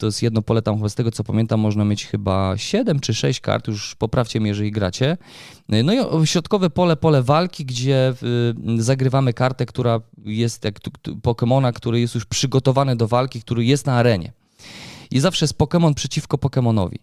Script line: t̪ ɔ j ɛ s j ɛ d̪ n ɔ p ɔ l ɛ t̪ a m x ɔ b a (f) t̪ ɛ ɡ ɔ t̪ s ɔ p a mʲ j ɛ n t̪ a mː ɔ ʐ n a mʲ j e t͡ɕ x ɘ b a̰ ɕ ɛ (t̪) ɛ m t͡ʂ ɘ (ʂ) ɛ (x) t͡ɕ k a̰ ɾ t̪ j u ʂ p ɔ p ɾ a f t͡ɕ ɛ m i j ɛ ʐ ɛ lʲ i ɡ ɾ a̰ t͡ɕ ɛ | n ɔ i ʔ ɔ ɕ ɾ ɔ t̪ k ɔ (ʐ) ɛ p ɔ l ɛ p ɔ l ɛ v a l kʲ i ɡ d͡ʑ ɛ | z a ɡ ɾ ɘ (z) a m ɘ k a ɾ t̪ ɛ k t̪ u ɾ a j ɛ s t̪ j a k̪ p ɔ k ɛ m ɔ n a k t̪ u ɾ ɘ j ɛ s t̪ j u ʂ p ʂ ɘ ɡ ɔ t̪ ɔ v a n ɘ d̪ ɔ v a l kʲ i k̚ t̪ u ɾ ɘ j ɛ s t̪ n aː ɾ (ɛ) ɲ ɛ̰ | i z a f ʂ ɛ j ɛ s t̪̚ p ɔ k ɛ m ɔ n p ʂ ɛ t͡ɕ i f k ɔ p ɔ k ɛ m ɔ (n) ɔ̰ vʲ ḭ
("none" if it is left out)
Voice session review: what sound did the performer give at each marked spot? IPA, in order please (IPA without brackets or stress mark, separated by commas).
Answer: s, d̪, ʂ, ɕ, v, v, ɛ, n